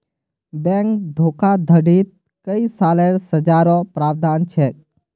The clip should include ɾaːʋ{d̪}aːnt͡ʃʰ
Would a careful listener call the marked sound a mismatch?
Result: no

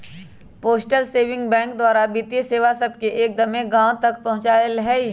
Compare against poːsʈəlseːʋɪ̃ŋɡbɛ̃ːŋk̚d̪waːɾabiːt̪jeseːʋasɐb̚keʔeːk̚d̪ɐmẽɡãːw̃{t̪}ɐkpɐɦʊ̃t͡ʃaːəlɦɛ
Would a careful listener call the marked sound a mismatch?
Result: no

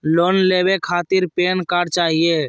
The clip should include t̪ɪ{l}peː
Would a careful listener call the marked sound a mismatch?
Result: yes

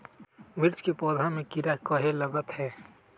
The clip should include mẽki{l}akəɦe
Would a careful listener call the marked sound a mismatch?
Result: yes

